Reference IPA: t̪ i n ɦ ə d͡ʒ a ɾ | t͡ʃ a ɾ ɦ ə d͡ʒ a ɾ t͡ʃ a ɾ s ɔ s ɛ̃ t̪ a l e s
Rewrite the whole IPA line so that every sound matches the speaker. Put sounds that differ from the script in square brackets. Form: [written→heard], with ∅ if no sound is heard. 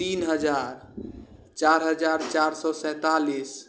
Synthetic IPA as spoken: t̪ i n ɦ ə d͡ʒ a ɾ | t͡ʃ a ɾ ɦ ə d͡ʒ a ɾ t͡ʃ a ɾ s ɔ s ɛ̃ t̪ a l [e→i] s